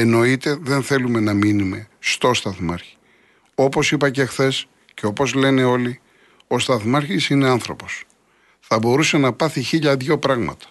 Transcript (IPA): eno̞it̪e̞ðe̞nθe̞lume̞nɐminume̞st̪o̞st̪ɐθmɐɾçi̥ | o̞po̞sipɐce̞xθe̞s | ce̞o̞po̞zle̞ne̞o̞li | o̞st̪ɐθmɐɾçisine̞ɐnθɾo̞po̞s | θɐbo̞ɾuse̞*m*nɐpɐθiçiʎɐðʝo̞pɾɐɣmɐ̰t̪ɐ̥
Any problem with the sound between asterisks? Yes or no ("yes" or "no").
yes